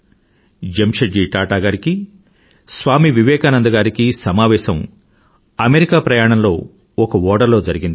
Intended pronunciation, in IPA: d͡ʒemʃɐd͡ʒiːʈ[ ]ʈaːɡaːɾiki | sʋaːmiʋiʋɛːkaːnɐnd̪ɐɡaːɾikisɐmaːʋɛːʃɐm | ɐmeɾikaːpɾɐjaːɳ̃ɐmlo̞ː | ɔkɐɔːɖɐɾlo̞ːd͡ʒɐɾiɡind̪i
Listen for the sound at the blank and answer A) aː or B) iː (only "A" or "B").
A